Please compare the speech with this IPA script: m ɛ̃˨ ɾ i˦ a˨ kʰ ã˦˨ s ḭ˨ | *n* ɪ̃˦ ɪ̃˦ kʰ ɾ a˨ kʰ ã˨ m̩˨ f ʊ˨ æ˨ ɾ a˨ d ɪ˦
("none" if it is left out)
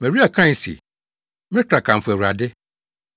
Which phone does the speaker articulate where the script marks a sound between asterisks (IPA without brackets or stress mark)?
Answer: m